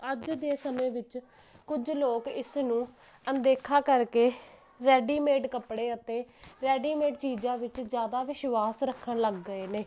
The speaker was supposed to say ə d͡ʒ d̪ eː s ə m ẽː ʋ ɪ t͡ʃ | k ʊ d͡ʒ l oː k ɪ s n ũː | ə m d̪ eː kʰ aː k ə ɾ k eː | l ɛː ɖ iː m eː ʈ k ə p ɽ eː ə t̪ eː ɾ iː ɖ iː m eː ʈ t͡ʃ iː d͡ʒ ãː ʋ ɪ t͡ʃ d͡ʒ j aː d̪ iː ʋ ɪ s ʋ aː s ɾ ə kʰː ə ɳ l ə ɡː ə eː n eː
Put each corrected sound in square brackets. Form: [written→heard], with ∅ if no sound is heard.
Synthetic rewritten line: ə d͡ʒ d̪ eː s ə m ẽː ʋ ɪ t͡ʃ | k ʊ d͡ʒ l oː k ɪ s n ũː | ə [m→n] d̪ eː kʰ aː k ə ɾ k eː | [l→ɾ] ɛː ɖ iː m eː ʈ k ə p ɽ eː ə t̪ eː ɾ [iː→ɛː] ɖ iː m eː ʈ t͡ʃ iː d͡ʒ ãː ʋ ɪ t͡ʃ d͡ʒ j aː d̪ [iː→aː] ʋ ɪ [s→ʃ] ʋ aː s ɾ ə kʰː ə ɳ l ə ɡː ə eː n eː